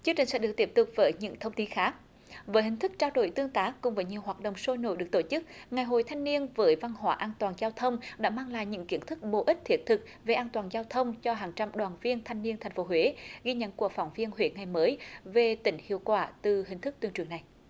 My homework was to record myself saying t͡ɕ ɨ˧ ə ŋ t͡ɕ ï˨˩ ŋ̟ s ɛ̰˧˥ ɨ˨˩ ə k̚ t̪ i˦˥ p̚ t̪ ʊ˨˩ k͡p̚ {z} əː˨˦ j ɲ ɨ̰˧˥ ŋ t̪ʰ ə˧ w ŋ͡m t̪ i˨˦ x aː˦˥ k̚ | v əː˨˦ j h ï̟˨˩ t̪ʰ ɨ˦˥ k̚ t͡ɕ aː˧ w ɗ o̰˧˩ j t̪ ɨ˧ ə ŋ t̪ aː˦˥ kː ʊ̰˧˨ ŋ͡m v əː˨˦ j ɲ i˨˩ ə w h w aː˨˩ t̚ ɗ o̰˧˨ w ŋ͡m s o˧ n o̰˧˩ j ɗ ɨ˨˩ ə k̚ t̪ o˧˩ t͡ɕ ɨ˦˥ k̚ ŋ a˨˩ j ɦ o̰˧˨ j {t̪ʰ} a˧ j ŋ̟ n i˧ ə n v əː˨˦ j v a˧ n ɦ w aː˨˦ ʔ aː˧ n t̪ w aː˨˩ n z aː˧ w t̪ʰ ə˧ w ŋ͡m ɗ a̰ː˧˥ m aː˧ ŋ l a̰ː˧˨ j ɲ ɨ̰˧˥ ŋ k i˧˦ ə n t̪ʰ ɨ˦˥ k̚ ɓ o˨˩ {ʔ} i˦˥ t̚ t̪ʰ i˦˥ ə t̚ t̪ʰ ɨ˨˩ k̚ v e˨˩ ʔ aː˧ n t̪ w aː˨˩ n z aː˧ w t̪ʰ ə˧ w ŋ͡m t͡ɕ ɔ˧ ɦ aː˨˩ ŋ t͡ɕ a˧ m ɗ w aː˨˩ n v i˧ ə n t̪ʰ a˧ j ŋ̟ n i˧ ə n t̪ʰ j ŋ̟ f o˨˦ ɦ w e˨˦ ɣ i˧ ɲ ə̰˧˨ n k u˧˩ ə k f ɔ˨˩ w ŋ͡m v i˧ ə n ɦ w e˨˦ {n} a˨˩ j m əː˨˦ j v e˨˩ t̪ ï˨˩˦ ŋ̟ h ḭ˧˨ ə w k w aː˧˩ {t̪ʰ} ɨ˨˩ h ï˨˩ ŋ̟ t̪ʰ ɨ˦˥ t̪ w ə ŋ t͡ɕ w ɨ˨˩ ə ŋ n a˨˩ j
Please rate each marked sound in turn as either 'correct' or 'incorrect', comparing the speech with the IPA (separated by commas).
incorrect, correct, correct, incorrect, incorrect